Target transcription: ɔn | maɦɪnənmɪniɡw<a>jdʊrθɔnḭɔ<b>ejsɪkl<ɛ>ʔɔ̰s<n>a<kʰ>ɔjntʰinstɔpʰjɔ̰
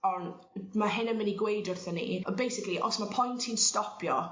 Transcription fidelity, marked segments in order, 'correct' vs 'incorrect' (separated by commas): incorrect, correct, incorrect, incorrect, incorrect